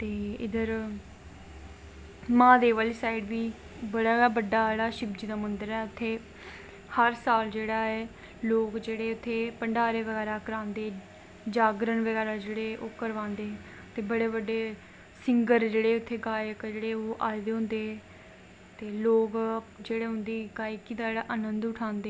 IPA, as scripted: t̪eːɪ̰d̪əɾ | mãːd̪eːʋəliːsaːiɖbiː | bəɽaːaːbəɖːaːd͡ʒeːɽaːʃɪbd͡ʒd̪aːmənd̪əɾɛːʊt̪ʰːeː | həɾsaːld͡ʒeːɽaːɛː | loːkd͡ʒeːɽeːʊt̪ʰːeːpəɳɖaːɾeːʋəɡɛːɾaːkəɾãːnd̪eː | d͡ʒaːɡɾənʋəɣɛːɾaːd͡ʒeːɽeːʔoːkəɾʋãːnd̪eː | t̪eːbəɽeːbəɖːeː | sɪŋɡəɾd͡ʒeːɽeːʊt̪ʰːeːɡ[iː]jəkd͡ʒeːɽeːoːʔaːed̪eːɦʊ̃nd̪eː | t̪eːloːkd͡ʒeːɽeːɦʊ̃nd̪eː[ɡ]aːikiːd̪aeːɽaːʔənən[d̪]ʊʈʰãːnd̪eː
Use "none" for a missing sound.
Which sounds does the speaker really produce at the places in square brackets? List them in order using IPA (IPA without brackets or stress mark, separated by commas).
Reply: aː, ɡ, d̪